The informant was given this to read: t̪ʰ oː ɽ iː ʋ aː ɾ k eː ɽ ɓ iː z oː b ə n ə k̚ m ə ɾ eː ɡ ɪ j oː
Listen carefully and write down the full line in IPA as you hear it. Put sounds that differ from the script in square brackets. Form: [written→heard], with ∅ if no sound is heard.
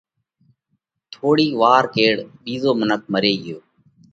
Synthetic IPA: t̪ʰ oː ɽ iː ʋ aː ɾ k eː ɽ ɓ iː z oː [b→m] ə n ə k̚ m ə ɾ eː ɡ ɪ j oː